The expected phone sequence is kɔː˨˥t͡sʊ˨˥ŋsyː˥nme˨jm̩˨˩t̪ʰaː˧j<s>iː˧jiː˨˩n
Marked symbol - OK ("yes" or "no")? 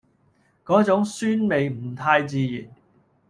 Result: no